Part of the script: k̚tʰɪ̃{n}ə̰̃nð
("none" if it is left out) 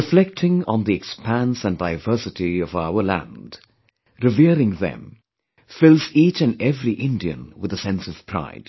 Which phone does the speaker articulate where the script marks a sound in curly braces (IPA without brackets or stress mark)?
ŋ